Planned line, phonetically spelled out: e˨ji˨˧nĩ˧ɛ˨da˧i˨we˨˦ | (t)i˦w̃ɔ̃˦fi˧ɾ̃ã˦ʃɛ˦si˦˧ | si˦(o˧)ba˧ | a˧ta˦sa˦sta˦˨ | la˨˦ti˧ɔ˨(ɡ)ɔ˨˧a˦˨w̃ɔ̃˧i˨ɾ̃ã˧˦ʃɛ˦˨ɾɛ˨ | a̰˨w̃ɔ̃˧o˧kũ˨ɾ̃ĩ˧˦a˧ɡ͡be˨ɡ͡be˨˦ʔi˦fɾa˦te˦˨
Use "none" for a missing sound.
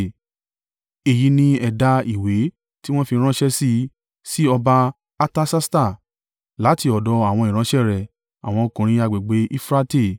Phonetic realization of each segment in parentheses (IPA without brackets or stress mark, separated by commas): t, ɔ˧, d